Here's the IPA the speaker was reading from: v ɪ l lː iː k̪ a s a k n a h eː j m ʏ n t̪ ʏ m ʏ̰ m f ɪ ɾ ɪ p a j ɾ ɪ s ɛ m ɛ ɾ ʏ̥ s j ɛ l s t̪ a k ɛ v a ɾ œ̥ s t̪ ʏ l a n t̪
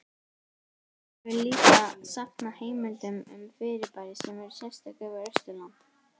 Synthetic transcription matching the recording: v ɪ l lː iː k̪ a s a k n a h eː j m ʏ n t̪ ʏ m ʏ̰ m f ɪ ɾ ɪ p a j ɾ ɪ s ɛ m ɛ ɾ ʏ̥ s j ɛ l s t̪ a k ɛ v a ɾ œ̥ s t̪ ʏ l a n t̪